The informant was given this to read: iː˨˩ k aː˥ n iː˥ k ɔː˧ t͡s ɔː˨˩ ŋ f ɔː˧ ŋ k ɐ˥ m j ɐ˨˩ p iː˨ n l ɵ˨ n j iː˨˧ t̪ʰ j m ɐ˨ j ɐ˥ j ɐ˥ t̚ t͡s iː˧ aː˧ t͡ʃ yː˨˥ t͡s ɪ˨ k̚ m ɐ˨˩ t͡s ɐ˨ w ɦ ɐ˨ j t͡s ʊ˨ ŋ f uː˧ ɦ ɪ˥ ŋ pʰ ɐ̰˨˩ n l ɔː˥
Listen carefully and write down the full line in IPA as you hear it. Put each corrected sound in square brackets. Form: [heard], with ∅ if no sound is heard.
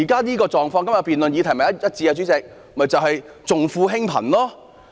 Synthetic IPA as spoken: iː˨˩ k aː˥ n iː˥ k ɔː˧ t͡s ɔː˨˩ ŋ f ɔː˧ ŋ k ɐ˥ m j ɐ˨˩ p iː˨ n l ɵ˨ n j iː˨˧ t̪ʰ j m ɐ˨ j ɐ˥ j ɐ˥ t̚ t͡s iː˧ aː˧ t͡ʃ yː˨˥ t͡s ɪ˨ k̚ m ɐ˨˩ t͡s ɐ˨ w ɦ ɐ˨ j t͡s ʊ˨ ŋ f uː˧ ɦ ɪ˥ ŋ pʰ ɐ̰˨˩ n l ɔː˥